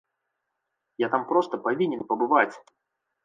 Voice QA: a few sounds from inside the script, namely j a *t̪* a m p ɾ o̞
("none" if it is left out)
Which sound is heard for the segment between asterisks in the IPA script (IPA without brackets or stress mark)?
t̪